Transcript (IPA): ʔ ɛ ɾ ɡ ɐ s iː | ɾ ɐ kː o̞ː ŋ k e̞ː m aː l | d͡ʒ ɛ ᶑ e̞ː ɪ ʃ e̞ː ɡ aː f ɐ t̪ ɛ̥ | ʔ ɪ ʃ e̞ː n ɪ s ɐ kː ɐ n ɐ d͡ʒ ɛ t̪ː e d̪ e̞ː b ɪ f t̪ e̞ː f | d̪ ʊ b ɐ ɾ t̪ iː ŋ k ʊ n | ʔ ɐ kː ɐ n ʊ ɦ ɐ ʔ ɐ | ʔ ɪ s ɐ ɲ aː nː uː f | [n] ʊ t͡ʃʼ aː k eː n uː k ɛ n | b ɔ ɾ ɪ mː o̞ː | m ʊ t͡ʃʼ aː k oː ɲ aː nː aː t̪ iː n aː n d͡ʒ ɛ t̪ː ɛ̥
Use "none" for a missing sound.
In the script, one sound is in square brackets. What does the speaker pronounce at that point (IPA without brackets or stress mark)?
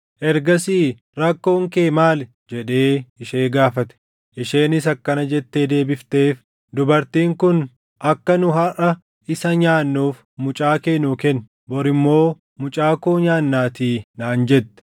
m